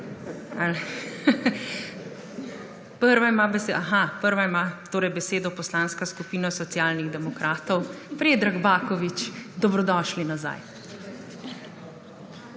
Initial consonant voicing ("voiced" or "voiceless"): voiced